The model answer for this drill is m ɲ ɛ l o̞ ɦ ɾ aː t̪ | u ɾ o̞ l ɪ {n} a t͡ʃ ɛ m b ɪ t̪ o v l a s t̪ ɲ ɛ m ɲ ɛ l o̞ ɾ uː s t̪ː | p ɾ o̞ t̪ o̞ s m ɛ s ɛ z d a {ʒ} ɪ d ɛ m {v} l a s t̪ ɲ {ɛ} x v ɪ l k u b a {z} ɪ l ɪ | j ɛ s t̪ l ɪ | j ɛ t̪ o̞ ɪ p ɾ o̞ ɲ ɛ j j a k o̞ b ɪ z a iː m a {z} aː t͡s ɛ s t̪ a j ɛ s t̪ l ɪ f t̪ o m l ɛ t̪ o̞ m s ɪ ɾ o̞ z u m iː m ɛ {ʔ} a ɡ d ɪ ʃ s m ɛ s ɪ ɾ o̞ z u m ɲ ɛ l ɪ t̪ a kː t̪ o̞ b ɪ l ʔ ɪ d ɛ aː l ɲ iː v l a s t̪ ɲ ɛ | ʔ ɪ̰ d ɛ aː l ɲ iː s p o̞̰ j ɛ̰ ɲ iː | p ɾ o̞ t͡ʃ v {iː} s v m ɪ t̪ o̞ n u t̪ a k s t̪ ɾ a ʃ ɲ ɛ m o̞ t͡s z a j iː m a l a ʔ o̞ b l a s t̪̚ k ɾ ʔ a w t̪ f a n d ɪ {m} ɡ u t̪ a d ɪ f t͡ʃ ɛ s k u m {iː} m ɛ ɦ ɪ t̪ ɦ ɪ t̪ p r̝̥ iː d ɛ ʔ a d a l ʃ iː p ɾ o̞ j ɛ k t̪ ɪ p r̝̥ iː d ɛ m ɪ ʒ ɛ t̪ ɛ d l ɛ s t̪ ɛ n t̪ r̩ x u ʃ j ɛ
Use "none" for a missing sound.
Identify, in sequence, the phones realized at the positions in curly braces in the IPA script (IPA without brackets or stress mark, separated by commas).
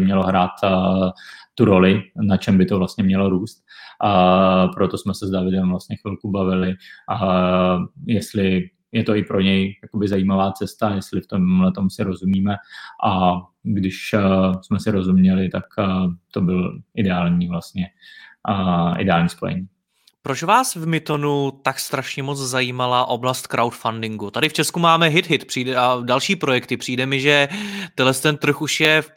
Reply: n, v, v, ɛ, v, v, ʔ, aː, ŋ, aː